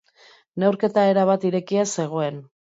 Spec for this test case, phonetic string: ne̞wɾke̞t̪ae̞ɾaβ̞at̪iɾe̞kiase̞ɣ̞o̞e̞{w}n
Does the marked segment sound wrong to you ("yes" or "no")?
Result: yes